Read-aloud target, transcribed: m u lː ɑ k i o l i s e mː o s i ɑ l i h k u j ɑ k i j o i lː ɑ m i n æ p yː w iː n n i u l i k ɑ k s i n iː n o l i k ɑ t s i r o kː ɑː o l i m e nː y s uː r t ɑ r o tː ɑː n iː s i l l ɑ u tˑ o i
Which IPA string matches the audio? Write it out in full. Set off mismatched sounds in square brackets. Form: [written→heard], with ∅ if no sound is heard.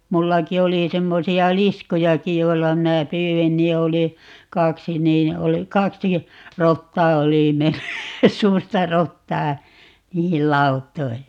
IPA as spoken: m u lː ɑ k i o l i s e mː o s i ɑ l i [h→s] k u j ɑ k i j o i lː ɑ m i n æ p yː w [iː→i] n n i [u→o] l i k ɑ k s i n iː n o l i k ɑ [t→k] s i r o [kː→tː] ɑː o l i m e nː y s uː r t ɑ r o tː ɑː n iː [s→h] i l l ɑ u tˑ o i